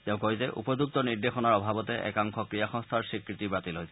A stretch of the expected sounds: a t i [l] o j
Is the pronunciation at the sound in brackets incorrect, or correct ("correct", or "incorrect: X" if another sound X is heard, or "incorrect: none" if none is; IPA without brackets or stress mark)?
correct